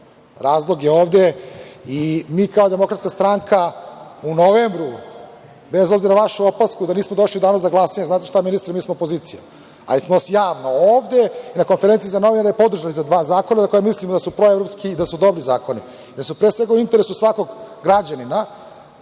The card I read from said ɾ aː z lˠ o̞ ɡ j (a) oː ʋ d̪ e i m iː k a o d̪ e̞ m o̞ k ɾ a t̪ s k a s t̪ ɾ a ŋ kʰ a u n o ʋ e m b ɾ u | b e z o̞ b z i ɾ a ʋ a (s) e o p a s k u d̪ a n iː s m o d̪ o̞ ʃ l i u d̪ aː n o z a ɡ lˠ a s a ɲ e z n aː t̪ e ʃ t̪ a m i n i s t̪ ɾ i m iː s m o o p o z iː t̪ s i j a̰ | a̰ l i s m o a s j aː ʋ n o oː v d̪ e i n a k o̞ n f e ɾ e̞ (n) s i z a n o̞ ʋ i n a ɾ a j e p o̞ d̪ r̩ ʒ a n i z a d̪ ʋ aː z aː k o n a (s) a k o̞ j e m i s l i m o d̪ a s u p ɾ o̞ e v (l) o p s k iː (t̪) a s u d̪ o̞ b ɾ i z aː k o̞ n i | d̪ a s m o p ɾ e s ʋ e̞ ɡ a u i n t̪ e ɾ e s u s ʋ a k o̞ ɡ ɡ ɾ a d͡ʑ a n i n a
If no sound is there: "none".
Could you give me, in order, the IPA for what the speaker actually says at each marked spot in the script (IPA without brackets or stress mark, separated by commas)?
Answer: e, ʃ, n, z, ɾ, d̪